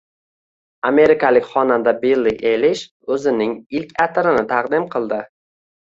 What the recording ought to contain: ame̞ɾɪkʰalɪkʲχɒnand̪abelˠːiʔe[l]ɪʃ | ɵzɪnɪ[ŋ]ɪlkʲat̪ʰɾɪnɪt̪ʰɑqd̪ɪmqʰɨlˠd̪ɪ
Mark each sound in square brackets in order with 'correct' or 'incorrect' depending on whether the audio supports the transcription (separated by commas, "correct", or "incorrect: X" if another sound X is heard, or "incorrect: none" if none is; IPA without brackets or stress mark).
correct, correct